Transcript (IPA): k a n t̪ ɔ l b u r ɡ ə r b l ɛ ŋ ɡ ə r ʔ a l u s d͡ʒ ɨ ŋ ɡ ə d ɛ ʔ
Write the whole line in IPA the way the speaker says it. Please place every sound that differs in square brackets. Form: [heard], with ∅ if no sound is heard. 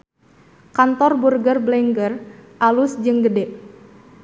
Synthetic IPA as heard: k a n t̪ ɔ [r] b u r ɡ ə r b l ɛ ŋ ɡ ə r ʔ a l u s d͡ʒ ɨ ŋ ɡ ə d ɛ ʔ

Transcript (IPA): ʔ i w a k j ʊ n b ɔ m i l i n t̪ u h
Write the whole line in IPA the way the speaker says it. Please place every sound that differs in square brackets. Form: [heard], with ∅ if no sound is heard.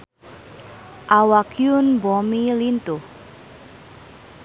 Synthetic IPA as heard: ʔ [a] w a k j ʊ n b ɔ m i l i n t̪ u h

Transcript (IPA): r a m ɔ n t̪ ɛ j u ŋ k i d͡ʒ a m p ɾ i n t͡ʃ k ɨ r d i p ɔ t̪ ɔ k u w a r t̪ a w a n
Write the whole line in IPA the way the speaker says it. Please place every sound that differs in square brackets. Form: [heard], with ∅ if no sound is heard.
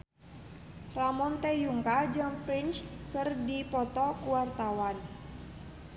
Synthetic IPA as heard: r a m ɔ n t̪ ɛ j u ŋ k [a] d͡ʒ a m p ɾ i n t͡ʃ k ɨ r d i p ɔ t̪ ɔ k u w a r t̪ a w a n

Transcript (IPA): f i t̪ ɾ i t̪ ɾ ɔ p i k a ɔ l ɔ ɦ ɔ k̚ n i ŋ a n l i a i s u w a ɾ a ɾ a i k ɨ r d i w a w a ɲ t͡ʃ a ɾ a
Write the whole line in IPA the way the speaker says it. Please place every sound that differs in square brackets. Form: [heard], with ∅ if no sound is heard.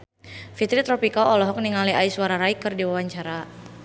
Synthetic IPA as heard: f i t̪ ɾ i t̪ ɾ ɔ p i k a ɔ l ɔ ɦ ɔ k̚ n i ŋ a [∅] l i a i s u w a ɾ a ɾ a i k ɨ r d i w a w a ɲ t͡ʃ a ɾ a

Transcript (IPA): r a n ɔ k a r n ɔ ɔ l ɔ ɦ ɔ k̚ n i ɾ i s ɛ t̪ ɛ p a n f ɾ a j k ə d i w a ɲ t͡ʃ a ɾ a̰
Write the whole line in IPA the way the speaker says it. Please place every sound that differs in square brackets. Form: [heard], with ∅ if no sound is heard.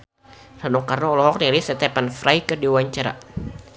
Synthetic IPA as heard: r a n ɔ k a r n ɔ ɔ l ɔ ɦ ɔ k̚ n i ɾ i s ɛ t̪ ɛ p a n f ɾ a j k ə d i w a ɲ t͡ʃ a ɾ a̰

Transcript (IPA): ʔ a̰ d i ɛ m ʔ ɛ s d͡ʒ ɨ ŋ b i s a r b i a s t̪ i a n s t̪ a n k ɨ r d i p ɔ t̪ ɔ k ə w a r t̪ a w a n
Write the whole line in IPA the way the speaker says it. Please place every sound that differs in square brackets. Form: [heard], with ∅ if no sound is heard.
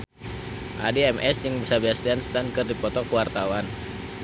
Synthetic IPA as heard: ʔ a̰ d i ɛ m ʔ ɛ s d͡ʒ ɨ ŋ b i s a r b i a s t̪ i a n s t̪ a n k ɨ r d i p ɔ t̪ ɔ k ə w a r t̪ a w a n

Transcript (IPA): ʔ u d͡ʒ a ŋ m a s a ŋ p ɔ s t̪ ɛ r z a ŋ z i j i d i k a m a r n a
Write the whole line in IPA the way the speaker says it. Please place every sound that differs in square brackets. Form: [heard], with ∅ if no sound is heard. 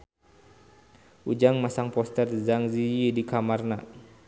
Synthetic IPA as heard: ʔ u d͡ʒ a ŋ m a s a ŋ p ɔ s t̪ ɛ r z a ŋ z i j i d i k a m a r n a

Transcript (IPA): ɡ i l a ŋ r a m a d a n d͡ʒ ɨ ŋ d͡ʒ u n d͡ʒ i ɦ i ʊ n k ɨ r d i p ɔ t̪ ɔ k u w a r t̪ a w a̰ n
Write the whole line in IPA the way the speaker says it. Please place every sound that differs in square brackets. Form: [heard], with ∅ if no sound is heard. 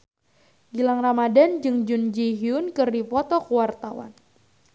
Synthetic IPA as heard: ɡ i l a ŋ r a m a d a n d͡ʒ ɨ ŋ d͡ʒ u n d͡ʒ i ɦ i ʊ n k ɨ r d i p ɔ t̪ ɔ k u w a r t̪ a w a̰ n

